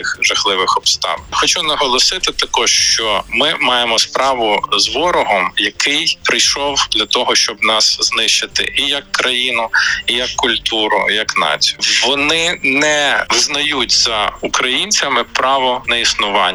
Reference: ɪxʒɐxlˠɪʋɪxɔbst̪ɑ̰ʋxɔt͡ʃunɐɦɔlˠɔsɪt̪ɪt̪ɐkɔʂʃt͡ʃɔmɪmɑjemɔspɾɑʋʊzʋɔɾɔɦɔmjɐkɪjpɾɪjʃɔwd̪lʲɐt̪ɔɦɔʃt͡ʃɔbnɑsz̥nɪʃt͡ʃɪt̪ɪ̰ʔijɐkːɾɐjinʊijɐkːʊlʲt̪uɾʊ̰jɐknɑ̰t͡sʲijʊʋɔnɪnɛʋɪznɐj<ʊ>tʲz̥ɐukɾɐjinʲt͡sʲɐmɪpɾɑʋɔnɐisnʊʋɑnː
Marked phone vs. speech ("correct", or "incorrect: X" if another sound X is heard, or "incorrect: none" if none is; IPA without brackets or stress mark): incorrect: u